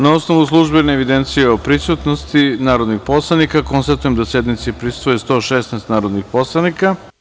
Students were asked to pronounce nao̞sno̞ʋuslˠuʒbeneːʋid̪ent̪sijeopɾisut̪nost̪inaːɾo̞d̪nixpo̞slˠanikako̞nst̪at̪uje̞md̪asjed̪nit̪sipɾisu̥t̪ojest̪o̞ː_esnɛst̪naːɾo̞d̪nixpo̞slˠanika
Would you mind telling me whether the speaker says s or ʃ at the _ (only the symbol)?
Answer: ʃ